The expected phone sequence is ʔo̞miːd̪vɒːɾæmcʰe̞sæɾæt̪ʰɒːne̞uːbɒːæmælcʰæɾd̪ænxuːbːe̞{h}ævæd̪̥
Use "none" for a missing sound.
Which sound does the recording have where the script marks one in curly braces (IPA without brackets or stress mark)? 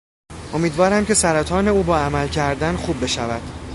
ʃ